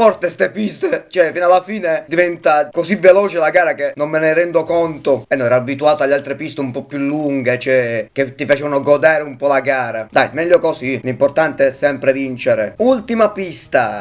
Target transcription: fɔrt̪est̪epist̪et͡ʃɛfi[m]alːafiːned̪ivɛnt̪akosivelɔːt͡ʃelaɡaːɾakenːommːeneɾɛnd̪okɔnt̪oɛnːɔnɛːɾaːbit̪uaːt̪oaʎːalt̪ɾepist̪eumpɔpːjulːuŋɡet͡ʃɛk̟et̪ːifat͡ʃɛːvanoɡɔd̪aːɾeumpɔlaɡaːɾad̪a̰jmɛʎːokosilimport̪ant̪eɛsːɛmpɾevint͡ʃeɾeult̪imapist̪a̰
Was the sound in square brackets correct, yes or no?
no